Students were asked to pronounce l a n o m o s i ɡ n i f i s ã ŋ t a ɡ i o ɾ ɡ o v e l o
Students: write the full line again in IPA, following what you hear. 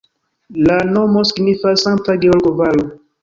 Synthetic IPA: l a n o m o s i ɡ n i f a s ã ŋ t a ɡ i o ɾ ɡ o v a l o